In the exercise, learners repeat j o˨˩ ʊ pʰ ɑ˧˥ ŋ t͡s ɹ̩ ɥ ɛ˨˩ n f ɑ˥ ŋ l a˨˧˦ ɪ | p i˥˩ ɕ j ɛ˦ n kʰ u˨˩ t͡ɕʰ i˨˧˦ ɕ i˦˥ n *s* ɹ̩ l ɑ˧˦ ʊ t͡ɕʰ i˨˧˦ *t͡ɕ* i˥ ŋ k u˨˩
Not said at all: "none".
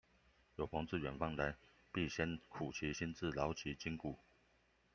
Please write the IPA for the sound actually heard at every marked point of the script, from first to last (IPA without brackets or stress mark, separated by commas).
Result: t͡s, t͡ɕ